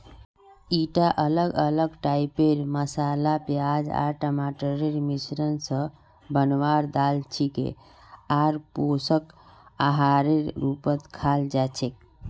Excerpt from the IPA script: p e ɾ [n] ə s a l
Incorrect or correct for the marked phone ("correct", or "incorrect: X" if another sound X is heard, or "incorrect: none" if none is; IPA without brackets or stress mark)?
incorrect: m